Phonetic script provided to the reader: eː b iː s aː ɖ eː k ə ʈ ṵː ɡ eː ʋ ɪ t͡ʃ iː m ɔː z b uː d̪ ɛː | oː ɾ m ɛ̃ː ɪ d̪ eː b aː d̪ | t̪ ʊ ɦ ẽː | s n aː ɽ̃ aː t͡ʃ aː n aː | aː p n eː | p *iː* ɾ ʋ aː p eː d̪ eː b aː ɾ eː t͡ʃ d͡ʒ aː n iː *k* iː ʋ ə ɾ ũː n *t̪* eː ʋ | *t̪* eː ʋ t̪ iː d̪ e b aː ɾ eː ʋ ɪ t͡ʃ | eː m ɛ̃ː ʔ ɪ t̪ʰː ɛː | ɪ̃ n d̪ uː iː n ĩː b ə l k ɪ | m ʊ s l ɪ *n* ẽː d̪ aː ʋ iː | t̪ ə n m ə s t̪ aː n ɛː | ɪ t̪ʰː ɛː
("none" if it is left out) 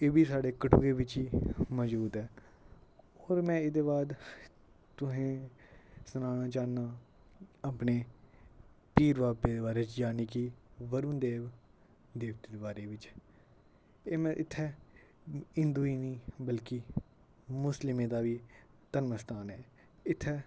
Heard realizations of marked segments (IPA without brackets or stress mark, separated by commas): iː, k, d̪, d̪, m